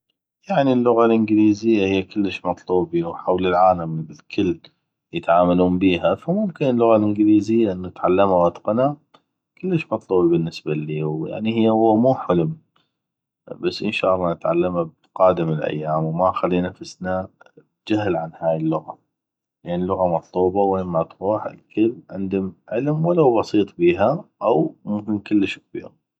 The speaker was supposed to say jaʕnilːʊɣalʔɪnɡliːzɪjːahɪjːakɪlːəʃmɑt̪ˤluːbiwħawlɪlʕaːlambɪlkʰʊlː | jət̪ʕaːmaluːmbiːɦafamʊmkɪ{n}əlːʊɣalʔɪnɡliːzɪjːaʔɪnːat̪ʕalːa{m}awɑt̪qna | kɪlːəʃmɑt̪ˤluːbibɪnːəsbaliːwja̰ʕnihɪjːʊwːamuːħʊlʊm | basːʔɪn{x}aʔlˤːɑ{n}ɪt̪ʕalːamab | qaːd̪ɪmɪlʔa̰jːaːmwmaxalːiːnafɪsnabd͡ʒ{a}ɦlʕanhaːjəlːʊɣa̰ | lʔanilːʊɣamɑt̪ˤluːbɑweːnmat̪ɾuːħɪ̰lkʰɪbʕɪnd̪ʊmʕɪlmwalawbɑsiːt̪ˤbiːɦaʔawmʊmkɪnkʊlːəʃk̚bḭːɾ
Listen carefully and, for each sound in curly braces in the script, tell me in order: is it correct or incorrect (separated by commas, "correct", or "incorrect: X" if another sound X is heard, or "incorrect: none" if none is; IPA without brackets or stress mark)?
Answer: correct, correct, incorrect: ʃ, correct, correct